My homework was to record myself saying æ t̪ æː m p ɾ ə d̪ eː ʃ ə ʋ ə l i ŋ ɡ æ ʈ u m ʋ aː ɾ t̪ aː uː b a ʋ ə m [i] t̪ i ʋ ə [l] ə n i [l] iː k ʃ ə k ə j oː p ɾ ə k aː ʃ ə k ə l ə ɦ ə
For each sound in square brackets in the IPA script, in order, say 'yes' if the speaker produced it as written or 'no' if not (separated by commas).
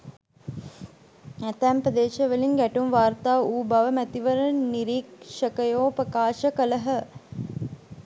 no, no, no